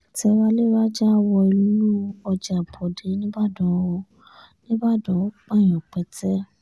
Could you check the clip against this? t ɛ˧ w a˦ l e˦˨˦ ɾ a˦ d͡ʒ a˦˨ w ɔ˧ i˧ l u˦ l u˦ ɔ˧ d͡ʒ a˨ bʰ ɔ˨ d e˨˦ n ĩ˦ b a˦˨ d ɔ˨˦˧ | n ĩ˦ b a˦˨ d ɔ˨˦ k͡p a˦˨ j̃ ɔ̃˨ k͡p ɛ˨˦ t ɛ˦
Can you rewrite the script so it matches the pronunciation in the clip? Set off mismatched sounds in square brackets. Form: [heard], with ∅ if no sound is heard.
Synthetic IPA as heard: t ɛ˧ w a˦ l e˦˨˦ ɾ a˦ d͡ʒ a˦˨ w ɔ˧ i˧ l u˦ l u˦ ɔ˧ d͡ʒ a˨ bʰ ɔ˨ d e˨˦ n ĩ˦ b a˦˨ d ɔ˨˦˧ | n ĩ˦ b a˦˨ d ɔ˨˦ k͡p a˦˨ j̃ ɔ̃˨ k͡p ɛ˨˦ t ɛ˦